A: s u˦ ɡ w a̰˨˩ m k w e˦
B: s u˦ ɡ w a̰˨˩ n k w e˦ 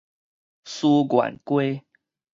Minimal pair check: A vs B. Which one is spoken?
B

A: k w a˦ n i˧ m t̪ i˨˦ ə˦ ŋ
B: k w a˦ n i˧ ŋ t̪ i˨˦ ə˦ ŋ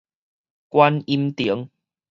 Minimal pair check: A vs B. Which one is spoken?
A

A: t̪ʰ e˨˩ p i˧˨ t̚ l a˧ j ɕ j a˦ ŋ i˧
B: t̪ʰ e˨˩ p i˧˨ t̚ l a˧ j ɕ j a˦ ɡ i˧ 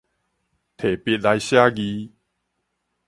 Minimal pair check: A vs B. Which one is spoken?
B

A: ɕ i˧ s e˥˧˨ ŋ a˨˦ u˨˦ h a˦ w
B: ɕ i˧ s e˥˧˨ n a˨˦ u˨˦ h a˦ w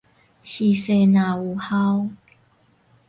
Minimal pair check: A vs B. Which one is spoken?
B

